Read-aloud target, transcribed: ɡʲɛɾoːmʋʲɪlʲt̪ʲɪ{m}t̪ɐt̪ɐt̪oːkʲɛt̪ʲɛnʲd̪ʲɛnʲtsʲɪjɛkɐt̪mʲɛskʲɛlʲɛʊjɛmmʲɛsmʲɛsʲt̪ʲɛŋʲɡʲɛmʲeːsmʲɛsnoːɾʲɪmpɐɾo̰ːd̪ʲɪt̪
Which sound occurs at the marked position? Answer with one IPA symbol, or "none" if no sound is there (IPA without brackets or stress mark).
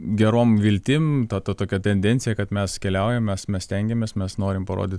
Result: m